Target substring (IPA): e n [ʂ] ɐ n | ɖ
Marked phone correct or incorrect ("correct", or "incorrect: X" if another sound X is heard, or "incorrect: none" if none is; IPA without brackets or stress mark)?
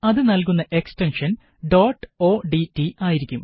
correct